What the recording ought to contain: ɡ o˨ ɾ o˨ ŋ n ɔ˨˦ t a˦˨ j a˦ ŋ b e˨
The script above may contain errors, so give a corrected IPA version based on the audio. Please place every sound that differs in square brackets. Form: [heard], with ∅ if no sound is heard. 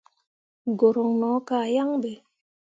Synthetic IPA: ɡ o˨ ɾ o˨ ŋ n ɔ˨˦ [k] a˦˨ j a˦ ŋ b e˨